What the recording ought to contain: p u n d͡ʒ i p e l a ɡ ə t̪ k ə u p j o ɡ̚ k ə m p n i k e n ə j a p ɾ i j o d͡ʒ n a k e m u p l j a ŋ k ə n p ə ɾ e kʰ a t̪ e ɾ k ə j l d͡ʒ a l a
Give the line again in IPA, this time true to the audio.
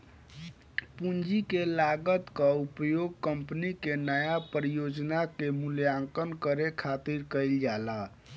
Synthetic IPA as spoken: p u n d͡ʒ i k e l a ɡ ə t̪ k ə u p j o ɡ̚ k ə m p n i k e n ə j a p ɾ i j o d͡ʒ n a k e m u l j a ŋ k ə n k ə ɾ e kʰ a t̪ i ɾ k ə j l d͡ʒ a l a